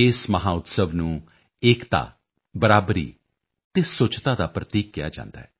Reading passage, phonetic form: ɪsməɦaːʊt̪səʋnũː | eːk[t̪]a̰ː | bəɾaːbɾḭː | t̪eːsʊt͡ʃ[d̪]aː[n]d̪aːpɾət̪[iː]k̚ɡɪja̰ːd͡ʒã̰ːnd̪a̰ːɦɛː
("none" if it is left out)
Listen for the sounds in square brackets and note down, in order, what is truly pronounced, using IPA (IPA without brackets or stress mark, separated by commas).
t̪, t̪, none, iː